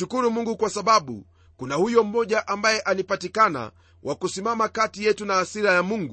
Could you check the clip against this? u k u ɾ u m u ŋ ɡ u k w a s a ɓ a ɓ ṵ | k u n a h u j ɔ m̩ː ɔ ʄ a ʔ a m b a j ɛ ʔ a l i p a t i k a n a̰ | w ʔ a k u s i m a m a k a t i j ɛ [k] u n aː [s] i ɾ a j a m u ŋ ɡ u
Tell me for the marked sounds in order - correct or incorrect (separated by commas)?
incorrect, correct